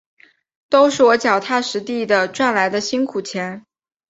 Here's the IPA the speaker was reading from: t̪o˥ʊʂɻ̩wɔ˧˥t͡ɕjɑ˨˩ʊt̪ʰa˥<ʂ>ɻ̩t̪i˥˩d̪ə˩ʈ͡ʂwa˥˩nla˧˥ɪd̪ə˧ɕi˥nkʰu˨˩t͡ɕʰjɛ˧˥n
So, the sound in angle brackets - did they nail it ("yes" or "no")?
yes